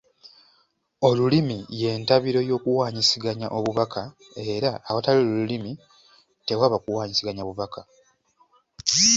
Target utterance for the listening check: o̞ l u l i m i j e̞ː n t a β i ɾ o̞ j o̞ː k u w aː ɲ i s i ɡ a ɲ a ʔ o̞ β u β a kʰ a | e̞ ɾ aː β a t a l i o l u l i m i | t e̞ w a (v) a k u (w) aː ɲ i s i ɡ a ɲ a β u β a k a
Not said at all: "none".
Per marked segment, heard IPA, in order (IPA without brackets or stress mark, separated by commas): β, w